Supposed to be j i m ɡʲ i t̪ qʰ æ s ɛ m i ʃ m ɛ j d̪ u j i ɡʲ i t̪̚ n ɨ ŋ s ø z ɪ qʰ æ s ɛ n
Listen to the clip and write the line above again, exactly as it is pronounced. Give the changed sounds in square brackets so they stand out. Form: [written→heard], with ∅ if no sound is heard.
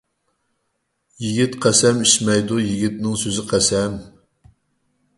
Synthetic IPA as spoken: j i [m→∅] ɡʲ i t̪ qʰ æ s ɛ m i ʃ m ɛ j d̪ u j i ɡʲ i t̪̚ n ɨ ŋ s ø z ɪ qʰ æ s ɛ [n→m]